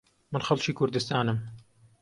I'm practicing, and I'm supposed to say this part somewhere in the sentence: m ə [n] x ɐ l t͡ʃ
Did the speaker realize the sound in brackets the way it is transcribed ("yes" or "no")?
yes